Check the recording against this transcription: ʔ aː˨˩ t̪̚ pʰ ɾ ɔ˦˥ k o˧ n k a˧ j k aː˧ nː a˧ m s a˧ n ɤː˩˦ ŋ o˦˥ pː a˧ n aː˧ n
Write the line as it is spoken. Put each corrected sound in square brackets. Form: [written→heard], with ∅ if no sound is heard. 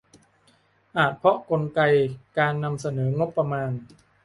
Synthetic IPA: ʔ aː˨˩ t̪̚ pʰ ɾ ɔ˦˥ k o˧ n k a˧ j k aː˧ nː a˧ m s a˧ n ɤː˩˦ ŋ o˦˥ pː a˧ [n→m] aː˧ n